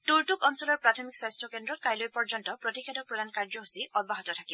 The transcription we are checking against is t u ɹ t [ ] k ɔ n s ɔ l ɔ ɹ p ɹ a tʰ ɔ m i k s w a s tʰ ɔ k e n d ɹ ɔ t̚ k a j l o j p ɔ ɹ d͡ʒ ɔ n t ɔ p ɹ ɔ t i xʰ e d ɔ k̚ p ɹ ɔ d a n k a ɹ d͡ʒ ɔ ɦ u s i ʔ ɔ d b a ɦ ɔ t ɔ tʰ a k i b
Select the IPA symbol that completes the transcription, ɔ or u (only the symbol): u